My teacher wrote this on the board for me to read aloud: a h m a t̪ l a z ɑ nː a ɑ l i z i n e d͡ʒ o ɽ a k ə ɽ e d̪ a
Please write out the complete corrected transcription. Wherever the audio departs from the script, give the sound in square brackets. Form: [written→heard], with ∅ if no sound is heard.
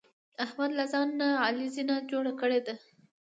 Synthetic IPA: a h m a [t̪→d̪] l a z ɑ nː a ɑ l i z i n [e→a] d͡ʒ o ɽ a k ə ɽ e d̪ a